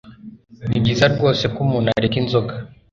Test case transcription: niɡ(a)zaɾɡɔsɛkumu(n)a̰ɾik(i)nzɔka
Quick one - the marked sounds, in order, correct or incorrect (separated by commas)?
incorrect, correct, correct